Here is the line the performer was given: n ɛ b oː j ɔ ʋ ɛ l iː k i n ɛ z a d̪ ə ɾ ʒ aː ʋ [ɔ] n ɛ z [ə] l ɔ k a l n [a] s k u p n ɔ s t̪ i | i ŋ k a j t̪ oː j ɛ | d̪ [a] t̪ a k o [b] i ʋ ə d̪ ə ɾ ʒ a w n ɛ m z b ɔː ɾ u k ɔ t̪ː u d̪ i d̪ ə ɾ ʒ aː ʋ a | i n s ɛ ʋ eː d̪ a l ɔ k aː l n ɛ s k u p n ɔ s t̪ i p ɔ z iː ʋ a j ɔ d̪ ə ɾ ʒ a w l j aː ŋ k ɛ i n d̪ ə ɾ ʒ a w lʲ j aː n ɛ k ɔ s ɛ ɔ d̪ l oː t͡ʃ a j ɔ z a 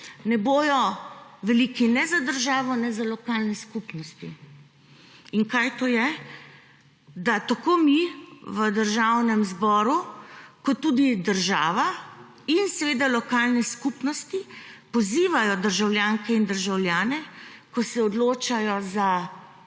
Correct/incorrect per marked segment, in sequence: correct, incorrect: a, incorrect: ɛ, correct, incorrect: m

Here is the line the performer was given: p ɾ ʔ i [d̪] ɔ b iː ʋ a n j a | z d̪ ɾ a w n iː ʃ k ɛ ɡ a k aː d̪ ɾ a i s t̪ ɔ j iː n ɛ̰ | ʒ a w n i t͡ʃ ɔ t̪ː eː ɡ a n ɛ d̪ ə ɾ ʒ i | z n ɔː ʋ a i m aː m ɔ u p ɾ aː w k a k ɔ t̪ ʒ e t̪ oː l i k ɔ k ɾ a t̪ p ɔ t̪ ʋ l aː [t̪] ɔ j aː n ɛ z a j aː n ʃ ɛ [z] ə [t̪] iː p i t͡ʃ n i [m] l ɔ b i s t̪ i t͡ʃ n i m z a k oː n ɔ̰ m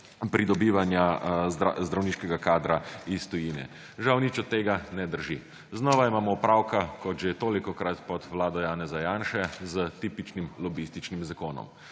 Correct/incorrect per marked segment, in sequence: correct, incorrect: d̪, correct, correct, correct

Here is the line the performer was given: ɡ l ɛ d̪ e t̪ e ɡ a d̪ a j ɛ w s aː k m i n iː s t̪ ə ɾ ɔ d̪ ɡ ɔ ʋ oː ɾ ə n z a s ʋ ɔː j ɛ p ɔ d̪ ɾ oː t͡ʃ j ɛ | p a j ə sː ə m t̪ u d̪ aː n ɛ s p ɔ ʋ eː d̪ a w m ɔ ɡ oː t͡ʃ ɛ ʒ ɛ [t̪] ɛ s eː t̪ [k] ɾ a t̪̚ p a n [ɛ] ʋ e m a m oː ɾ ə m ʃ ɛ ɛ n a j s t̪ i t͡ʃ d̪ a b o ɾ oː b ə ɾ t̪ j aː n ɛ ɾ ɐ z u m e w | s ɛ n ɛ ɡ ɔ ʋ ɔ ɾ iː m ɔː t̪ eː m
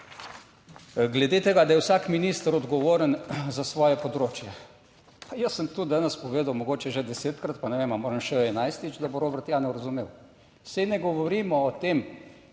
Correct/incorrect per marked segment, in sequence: incorrect: d̪, correct, correct

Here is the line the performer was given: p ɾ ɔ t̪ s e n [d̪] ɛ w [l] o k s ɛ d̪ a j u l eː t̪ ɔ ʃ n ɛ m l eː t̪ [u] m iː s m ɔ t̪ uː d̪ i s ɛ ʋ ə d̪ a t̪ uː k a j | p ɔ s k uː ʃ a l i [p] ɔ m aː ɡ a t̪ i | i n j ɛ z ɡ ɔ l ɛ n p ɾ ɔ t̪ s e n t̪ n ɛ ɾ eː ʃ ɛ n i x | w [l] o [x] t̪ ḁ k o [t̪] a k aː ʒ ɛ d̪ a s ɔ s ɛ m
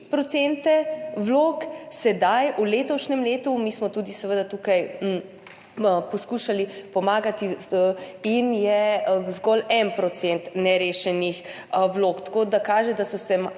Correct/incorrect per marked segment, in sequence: incorrect: t̪, correct, correct, correct, correct, incorrect: k, incorrect: d̪

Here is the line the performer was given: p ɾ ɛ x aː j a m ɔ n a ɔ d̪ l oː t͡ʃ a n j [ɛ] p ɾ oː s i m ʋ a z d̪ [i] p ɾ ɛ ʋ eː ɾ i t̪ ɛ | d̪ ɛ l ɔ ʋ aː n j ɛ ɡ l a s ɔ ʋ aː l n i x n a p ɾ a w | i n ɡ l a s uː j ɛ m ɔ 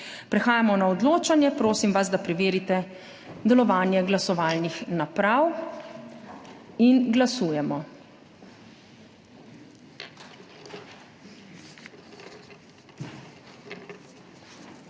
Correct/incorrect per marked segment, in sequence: correct, incorrect: a

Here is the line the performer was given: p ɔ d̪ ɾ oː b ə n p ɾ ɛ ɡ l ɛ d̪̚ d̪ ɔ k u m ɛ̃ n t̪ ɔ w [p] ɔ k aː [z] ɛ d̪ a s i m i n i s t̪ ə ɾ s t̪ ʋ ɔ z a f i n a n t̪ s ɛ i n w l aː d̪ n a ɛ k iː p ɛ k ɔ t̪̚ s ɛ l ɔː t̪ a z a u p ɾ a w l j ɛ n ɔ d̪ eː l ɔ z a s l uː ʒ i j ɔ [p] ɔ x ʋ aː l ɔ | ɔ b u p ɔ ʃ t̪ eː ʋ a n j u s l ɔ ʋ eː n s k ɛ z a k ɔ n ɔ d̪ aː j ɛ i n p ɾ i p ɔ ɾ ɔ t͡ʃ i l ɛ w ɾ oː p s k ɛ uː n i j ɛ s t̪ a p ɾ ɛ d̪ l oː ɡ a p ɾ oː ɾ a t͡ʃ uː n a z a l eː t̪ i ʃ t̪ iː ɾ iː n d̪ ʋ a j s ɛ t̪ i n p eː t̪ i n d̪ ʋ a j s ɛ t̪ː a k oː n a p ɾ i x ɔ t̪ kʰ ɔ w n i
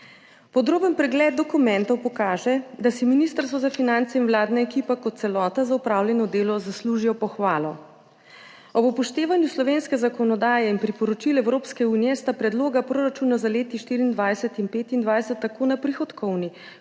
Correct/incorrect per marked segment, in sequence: correct, incorrect: ʒ, correct

